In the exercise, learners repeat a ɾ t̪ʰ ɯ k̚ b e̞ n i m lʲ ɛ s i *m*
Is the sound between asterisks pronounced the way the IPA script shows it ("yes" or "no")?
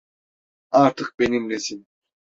no